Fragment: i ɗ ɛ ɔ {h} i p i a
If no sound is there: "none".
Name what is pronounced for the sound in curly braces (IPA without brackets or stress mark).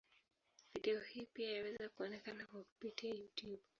h